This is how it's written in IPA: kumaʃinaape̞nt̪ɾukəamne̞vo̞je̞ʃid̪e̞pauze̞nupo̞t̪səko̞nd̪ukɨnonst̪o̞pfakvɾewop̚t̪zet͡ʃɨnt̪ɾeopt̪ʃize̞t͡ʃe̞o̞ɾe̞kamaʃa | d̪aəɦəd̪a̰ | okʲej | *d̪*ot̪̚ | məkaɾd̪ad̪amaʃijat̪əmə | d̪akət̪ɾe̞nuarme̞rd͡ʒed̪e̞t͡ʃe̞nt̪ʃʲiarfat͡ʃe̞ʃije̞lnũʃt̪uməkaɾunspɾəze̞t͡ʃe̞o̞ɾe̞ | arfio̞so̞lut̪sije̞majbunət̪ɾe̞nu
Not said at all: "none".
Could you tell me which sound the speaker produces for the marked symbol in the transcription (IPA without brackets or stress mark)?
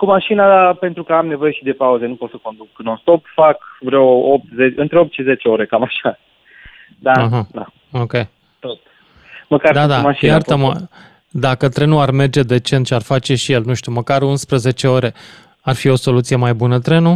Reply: t̪